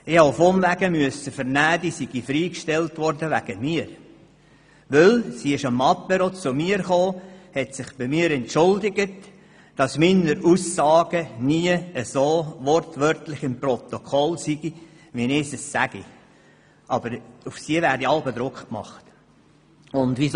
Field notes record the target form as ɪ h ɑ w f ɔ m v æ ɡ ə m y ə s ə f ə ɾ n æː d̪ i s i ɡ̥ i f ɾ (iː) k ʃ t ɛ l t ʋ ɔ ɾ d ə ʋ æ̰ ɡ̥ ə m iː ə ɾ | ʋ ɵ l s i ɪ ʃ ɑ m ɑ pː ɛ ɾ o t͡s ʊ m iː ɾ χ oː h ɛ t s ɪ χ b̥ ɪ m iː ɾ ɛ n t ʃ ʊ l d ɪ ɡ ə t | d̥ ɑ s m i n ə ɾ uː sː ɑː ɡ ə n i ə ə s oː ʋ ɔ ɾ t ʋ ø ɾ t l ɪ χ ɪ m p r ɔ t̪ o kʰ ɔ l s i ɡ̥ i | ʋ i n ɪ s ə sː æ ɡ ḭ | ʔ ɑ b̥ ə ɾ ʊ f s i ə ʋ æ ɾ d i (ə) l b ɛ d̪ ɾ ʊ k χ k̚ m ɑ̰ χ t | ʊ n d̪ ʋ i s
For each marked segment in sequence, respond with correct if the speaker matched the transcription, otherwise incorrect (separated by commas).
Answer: correct, incorrect